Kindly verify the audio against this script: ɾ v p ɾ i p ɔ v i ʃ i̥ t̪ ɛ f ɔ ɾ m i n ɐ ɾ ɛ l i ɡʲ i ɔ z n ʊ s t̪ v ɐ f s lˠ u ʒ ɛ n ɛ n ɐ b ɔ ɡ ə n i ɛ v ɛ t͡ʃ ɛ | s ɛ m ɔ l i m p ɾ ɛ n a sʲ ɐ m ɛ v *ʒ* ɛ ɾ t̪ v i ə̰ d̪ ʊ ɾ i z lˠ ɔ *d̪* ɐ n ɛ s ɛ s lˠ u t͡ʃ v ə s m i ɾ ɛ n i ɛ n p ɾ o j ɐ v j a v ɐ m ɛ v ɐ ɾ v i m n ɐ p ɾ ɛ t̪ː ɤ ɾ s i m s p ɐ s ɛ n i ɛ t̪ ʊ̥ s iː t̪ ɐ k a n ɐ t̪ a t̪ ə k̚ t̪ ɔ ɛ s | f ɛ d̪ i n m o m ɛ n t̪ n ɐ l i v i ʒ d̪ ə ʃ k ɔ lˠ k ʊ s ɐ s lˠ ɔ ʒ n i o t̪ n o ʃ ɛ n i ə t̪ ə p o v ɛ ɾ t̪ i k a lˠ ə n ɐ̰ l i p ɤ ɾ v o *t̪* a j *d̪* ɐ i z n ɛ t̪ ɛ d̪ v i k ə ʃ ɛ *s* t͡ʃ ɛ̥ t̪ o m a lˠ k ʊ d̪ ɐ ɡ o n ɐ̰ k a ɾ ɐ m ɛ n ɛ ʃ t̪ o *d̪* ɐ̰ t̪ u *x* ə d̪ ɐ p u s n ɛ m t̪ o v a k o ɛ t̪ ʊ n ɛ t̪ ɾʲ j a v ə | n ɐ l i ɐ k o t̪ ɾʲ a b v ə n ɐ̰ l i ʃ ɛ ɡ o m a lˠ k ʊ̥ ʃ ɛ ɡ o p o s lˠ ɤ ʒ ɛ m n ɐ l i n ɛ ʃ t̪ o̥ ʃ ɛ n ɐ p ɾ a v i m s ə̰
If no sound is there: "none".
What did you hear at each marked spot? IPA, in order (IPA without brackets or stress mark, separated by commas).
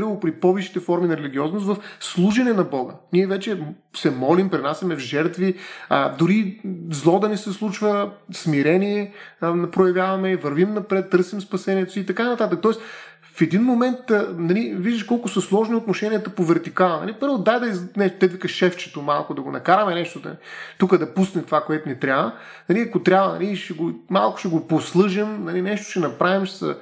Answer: ʒ, d̪, d̪, d̪, f, d̪, k